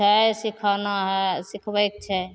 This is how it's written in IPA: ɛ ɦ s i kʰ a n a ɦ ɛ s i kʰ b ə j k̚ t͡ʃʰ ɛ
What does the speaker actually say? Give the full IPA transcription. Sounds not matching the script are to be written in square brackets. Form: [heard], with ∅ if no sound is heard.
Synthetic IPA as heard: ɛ [∅] s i kʰ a n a ɦ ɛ s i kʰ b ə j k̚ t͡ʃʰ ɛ